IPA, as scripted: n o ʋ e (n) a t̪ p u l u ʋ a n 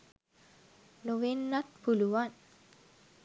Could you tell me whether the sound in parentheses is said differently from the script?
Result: yes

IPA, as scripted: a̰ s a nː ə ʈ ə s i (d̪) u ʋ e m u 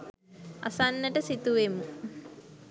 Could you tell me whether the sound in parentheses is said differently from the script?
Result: yes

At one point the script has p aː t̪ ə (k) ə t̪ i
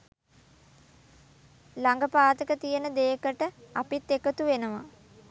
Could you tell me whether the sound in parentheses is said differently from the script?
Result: no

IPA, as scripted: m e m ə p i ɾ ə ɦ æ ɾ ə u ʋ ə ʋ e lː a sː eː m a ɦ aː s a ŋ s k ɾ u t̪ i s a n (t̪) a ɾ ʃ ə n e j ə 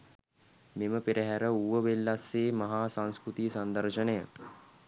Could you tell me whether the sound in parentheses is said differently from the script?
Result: yes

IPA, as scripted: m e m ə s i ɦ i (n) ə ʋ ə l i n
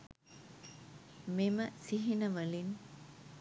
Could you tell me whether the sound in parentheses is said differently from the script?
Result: no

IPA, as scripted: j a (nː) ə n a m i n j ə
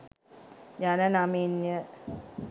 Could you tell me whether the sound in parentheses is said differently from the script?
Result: yes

